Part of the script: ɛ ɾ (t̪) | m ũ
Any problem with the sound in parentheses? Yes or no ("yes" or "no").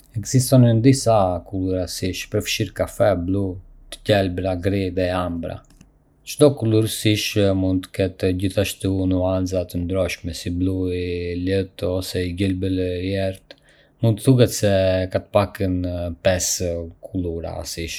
no